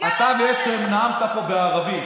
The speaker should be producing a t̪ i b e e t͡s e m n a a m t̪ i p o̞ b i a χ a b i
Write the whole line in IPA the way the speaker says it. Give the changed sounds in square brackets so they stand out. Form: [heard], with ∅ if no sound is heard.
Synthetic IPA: a t̪ [a] b e e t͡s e m n a a m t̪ [a] p o̞ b [e] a [ʁ] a [v] i

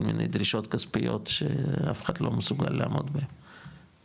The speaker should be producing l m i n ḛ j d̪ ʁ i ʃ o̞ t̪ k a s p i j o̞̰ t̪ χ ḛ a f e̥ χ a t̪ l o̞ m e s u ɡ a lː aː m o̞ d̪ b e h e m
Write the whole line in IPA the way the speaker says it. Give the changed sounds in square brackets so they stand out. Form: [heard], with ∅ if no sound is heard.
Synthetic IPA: l m i n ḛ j d̪ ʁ i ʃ o̞ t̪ k a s p i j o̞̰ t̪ [ʃ] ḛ a f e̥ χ a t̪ l o̞ m e s u ɡ a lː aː m o̞ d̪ b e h e m

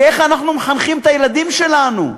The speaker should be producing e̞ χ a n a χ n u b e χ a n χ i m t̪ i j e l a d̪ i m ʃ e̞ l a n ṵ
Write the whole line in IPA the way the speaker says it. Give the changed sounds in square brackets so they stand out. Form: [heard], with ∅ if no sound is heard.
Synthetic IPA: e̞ χ a n a χ n u [m] e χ a n χ i m t̪ [a] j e l a d̪ i m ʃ e̞ l a n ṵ

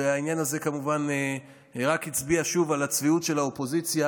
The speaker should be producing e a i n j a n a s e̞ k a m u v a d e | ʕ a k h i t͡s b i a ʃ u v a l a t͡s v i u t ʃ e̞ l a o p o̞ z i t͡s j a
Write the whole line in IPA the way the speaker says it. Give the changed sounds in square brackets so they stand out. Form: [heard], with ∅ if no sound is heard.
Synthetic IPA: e a i n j a n a [z] e̞ k a m u v a [n] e | [ʁ] a k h i t͡s b i a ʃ u v a l a t͡s v i u t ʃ e̞ l a o p o̞ z i t͡s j a

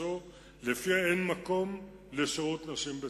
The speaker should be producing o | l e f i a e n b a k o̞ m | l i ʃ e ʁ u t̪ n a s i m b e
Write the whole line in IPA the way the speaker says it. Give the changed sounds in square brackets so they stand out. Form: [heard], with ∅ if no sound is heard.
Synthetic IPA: o | l e f i a e n [m] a k o̞ m | l [e] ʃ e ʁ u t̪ n a [ʃ] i m b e

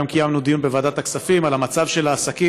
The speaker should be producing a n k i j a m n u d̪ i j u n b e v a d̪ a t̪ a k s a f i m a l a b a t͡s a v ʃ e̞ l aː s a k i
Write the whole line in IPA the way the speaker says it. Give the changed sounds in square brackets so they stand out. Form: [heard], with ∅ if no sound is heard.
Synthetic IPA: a [m] k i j a m n u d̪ i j u n b e v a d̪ a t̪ a k s a f i m a l a [m] a t͡s a v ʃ e̞ l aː s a k i

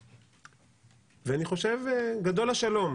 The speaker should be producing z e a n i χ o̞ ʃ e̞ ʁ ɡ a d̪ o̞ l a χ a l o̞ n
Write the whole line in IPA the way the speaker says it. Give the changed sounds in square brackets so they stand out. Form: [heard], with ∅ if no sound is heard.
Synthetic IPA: [v] e a n i χ o̞ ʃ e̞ [v] ɡ a d̪ o̞ l a [ʃ] a l o̞ [m]

